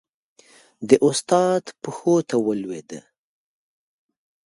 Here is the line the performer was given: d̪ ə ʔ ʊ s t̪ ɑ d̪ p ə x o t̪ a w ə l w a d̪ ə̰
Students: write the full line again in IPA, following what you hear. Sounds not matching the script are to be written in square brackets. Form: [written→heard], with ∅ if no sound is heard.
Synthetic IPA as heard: d̪ ə ʔ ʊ s t̪ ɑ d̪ p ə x o t̪ a w ə l w [a→e] d̪ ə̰